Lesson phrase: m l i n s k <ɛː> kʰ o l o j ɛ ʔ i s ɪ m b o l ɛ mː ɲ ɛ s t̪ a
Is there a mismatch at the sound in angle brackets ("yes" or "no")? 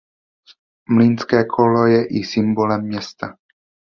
no